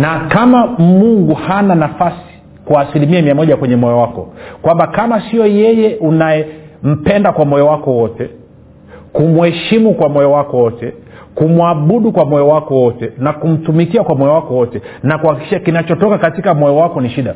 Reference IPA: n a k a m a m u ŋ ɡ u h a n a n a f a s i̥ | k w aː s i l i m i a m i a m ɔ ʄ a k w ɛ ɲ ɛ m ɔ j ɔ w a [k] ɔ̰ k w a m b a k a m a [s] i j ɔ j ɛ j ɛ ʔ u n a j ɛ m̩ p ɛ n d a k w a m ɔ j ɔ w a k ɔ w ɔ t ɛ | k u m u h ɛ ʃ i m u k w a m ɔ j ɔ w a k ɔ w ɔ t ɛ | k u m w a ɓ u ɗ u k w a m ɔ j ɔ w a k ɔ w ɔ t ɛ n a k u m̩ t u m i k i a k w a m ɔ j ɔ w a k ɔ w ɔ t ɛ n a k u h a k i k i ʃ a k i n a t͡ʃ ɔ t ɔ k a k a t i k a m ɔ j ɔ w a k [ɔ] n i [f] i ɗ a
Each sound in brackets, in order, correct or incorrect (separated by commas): correct, correct, correct, incorrect